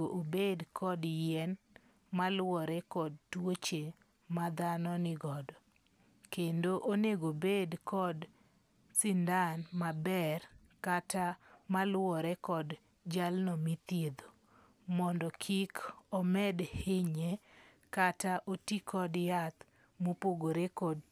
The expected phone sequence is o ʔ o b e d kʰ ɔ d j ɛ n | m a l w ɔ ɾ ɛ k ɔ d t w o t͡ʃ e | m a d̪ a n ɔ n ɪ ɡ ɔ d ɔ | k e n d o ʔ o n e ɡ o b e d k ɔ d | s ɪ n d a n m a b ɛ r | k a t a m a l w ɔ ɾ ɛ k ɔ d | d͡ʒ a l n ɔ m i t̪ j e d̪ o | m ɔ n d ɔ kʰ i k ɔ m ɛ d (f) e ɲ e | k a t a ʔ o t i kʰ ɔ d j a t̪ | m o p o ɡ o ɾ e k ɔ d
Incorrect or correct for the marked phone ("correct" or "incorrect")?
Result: incorrect